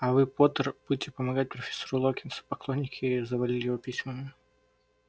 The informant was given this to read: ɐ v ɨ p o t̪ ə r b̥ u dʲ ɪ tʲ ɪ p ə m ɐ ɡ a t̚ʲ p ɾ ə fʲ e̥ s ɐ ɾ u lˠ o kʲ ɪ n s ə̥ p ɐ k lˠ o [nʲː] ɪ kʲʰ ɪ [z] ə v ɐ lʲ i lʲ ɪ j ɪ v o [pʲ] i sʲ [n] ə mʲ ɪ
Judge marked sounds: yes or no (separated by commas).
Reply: yes, yes, yes, no